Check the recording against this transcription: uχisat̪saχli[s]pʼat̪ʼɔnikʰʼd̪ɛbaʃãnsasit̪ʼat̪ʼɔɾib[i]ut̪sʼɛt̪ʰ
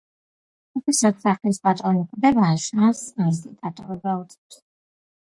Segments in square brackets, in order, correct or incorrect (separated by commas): correct, incorrect